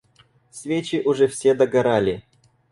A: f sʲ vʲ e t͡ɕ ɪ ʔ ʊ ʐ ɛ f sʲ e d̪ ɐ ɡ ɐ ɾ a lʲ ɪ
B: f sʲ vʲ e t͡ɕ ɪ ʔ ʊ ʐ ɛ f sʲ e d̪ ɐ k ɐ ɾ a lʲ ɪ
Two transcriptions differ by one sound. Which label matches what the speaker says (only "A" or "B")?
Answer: A